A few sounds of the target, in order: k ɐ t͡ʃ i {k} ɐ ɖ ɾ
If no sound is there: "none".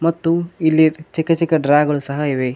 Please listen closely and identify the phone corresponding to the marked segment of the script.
k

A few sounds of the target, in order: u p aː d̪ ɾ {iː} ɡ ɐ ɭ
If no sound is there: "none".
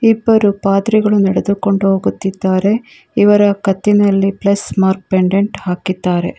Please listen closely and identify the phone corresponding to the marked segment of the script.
i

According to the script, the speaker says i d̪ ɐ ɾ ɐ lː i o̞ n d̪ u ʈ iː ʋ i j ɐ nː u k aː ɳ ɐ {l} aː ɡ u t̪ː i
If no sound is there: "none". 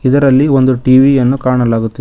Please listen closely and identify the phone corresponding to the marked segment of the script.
l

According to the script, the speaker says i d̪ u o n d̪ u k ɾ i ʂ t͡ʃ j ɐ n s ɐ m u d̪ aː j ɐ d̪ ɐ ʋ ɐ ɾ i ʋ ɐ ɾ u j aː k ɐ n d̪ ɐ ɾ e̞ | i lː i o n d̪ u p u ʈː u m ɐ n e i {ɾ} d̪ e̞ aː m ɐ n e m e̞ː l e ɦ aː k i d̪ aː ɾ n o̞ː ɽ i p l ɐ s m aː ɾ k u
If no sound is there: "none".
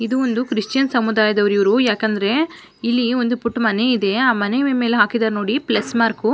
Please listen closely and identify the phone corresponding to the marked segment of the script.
none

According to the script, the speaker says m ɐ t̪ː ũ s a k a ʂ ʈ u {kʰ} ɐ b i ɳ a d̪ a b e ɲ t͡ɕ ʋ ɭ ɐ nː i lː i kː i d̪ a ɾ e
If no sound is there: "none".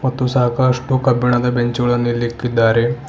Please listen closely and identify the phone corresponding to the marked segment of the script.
k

